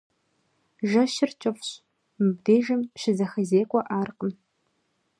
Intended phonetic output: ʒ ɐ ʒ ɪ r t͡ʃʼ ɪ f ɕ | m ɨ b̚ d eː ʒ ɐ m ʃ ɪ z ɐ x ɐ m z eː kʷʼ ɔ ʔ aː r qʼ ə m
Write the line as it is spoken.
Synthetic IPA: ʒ ɐ ʃ ɪ r t͡ʃʼ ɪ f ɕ | m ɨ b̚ d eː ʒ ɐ m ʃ ɪ z ɐ x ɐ z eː kʷʼ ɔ ʔ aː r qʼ ə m